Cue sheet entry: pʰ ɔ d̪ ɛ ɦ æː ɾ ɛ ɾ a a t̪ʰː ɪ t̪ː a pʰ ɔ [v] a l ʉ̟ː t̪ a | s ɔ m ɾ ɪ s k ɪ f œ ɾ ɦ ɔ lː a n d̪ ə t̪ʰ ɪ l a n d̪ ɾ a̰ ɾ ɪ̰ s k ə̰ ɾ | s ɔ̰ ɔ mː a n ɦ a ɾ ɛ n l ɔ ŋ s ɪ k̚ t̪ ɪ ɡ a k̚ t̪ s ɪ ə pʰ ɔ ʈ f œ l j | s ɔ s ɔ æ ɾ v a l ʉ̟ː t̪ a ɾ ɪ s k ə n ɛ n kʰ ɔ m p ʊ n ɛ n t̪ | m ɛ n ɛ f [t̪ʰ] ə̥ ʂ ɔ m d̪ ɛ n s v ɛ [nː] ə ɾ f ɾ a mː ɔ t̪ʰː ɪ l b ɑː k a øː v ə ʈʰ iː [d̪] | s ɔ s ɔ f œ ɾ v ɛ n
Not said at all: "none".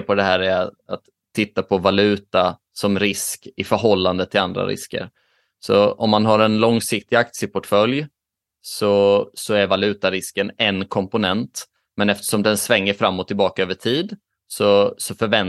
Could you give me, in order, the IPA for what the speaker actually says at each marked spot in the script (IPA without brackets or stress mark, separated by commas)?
v, t̪, ŋː, d̪